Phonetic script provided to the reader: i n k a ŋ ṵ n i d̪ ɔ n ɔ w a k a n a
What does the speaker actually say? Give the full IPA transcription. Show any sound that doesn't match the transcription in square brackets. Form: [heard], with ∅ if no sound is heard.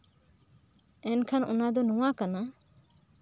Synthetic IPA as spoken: [ɛ] n [kʰ] a [n] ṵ n [a] d̪ ɔ n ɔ w a k a n a

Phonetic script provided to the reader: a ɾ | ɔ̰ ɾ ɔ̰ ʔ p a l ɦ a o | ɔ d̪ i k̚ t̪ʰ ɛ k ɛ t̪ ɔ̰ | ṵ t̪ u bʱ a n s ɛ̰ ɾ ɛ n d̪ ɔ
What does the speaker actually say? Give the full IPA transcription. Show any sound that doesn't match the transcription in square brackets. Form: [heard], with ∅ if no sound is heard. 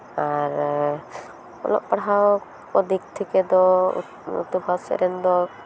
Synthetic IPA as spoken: a ɾ | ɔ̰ [l] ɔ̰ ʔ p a [ɽ] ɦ a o | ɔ d̪ i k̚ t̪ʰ [i] k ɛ [d̪] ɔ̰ | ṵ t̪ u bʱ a [∅] s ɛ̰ ɾ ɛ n d̪ ɔ

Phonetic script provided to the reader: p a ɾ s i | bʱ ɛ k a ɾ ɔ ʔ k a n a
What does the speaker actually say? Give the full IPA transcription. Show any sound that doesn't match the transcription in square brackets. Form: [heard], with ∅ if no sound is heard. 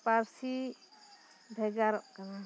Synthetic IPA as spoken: p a ɾ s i | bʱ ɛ [ɡ] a ɾ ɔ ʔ k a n a

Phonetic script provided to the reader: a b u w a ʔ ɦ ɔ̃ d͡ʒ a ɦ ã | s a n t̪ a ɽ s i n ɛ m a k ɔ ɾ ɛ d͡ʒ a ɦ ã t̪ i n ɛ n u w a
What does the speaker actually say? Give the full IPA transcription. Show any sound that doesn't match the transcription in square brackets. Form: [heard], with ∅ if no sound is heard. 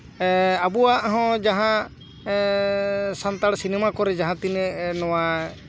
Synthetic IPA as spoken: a b u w a ʔ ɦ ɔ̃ d͡ʒ a ɦ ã | s a n t̪ a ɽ s i n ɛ m a k ɔ ɾ ɛ d͡ʒ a ɦ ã t̪ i n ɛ n [ɔ] w a

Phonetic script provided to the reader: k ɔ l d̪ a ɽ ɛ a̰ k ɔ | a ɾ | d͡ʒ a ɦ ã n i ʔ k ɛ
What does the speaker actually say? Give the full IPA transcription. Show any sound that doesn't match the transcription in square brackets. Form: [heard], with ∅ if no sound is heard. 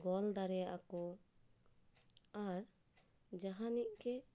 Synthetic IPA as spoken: [ɡ] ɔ l d̪ a [ɾ] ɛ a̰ k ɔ | a ɾ | d͡ʒ a ɦ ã n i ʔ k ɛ

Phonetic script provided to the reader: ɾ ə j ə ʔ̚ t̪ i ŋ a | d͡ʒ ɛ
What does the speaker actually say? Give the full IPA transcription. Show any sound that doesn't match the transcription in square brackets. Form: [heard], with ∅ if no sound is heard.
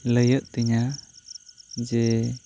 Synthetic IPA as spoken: [l] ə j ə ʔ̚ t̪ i [ɲ] a | d͡ʒ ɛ

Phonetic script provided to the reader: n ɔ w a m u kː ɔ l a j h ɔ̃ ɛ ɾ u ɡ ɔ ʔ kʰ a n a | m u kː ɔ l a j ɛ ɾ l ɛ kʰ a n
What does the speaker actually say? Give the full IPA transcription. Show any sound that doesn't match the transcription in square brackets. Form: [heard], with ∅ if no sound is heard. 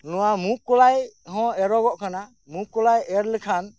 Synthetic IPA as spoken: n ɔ w a m u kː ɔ l a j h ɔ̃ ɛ ɾ [ɔ] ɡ ɔ ʔ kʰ a n a | m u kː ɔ l a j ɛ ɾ l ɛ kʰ a n

